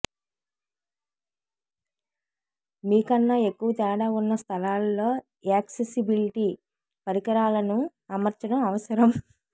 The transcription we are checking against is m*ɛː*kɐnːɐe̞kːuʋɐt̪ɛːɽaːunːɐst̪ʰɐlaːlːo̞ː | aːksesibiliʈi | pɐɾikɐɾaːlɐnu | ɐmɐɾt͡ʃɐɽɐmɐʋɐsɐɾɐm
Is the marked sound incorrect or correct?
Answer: incorrect